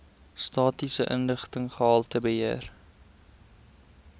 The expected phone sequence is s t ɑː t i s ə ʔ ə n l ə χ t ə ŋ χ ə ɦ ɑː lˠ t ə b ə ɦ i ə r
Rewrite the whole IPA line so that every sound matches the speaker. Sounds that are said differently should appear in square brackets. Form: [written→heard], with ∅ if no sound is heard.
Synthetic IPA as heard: s t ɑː t i s ə ʔ ə n l ə χ t ə ŋ χ ə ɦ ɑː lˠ t ə b ə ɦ i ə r

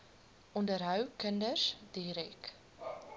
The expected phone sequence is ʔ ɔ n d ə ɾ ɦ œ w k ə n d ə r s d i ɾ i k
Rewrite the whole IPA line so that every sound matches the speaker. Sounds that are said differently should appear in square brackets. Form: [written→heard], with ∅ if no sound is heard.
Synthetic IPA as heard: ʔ ɔ n d ə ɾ ɦ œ w k ə n d ə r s d i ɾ [i→ɛ] k

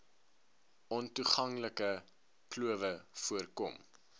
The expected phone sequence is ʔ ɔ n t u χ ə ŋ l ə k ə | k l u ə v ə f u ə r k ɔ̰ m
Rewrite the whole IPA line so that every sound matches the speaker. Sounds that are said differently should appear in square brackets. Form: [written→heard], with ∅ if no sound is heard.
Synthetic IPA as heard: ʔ ɔ n t u χ [ə→ɐ] ŋ l ə k ə | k l u ə v ə f u ə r k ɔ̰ m

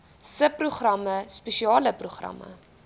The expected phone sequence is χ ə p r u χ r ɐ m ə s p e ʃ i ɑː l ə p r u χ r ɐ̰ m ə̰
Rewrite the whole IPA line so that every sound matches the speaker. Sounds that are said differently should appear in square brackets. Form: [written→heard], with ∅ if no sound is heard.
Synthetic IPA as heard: [χ→s] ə p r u χ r ɐ m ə s p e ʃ i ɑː l ə p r u χ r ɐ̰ m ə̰

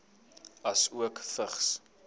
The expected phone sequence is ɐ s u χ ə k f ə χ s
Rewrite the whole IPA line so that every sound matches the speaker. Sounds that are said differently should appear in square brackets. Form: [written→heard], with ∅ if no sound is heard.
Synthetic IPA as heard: ɐ s u [χ→∅] ə k f ə χ s

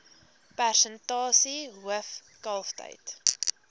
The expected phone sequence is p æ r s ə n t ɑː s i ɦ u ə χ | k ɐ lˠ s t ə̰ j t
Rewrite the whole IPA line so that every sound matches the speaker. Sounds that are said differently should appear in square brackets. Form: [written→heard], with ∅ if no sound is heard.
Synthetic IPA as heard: p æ r s ə n t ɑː s i ɦ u ə [χ→f] | k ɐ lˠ [s→f] t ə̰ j t

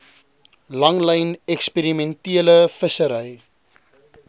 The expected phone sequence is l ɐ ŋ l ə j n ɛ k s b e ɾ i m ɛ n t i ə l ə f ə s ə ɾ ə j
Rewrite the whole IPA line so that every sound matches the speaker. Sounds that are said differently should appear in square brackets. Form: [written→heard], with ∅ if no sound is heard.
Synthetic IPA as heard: l ɐ ŋ l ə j n ɛ k s [b→p] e ɾ i m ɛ n t i ə l ə f ə s ə ɾ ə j

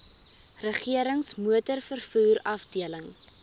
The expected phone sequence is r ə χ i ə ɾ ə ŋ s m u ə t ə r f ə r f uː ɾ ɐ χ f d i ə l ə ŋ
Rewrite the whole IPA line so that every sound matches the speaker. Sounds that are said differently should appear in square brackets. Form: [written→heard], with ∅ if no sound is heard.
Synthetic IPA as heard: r ə χ i ə ɾ ə ŋ s m u ə t ə r f ə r f uː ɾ ɐ [χ→∅] f d i ə l ə ŋ

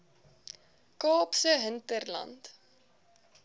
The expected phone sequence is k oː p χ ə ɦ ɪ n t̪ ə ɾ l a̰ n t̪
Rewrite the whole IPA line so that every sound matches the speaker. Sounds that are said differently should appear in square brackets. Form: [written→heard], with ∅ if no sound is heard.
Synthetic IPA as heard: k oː p [χ→s] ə ɦ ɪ n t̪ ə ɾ l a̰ n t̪

